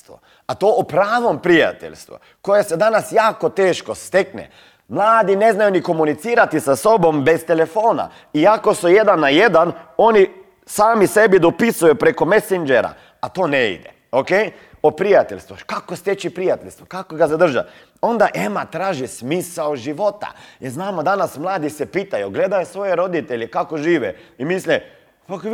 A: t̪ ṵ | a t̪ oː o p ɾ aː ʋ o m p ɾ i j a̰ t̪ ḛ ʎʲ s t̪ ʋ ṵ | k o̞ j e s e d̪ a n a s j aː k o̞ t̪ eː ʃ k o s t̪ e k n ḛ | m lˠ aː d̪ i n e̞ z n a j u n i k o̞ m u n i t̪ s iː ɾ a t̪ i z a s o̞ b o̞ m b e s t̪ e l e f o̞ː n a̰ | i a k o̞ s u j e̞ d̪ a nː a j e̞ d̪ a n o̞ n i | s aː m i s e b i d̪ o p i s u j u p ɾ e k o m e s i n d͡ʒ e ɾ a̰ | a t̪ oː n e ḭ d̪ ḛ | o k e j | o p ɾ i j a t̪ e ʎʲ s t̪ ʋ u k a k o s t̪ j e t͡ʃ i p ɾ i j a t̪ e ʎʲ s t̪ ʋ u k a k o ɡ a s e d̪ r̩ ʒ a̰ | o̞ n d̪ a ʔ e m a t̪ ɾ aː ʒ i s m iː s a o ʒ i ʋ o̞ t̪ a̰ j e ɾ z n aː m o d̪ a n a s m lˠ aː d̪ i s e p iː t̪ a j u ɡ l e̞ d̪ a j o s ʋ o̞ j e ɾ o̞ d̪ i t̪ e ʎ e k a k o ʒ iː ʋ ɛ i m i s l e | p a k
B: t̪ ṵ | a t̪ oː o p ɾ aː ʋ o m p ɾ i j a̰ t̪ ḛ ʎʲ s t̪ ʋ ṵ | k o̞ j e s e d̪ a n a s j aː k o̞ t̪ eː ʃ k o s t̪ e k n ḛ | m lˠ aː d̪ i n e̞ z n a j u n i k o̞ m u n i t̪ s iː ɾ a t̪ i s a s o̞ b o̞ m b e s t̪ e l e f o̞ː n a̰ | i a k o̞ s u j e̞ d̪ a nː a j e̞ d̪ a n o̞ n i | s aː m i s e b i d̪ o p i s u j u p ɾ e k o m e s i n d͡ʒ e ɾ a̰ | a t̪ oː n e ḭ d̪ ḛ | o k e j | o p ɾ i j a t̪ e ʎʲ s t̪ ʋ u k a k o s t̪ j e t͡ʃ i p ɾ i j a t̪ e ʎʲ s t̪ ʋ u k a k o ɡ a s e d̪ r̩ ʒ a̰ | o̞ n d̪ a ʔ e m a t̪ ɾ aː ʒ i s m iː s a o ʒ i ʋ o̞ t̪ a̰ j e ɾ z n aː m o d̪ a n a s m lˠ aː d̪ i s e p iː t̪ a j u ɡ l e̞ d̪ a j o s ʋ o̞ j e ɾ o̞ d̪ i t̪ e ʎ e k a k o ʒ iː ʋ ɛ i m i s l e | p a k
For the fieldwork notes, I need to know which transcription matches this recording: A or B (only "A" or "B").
B